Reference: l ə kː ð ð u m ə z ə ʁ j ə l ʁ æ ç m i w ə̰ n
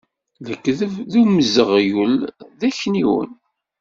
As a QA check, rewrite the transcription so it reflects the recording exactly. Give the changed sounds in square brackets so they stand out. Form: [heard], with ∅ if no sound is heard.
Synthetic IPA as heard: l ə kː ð ð u m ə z ə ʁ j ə l [ð] æ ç [n] i w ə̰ n